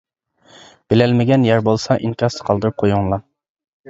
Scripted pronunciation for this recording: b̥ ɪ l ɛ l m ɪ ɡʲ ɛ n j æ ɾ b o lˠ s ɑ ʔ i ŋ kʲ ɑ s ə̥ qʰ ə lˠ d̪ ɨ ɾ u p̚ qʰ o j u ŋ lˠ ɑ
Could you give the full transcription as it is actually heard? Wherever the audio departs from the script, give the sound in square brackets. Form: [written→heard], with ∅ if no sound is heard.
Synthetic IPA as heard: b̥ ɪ l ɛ l m ɪ ɡʲ ɛ n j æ ɾ b o lˠ s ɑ ʔ i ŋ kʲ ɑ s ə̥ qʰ [ə→ɑ] lˠ d̪ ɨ ɾ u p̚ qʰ o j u ŋ lˠ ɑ